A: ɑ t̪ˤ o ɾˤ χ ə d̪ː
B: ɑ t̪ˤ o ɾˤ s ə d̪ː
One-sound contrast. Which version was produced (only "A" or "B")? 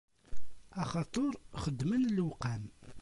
A